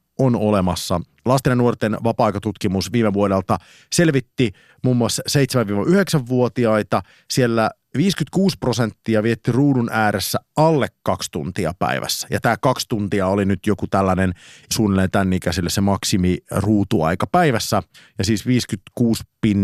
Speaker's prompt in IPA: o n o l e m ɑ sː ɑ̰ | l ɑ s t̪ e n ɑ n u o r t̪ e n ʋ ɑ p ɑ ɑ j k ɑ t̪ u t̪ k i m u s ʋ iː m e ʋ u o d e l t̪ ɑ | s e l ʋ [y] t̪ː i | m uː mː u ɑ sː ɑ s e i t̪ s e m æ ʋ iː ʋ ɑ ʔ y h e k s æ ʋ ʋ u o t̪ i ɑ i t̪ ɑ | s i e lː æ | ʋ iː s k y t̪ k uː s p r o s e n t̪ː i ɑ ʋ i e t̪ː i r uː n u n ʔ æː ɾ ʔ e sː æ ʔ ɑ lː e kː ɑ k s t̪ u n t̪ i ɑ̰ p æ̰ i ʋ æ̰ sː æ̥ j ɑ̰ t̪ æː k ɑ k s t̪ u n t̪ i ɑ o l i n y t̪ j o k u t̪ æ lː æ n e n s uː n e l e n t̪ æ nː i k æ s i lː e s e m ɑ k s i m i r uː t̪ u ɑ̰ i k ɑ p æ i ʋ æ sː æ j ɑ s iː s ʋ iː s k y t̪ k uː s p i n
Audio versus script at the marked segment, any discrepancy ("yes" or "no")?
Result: yes